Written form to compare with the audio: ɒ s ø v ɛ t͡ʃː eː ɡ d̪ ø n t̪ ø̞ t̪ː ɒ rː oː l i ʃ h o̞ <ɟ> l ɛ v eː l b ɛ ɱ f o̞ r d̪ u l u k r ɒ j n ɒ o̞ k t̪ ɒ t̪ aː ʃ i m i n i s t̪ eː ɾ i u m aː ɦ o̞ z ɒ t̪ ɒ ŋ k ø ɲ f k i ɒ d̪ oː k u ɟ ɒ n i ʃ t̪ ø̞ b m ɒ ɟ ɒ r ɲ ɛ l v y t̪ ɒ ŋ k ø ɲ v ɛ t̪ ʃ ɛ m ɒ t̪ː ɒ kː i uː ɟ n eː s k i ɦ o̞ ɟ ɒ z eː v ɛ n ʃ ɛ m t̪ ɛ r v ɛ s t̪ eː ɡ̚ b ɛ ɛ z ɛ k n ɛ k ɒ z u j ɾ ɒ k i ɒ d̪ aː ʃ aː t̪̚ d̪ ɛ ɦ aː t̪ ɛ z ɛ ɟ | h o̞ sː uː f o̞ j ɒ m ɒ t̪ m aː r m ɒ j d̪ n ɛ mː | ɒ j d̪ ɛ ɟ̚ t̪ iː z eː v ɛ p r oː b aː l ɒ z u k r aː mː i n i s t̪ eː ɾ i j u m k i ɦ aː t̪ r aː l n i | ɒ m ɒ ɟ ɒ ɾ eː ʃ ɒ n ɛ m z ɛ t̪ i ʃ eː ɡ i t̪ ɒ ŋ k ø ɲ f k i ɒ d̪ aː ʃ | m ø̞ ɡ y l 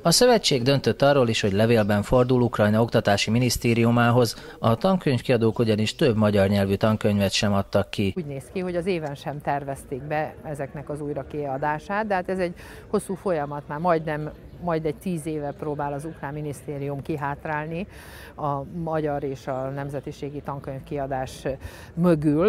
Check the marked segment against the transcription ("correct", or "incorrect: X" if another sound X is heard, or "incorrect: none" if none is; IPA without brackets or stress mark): correct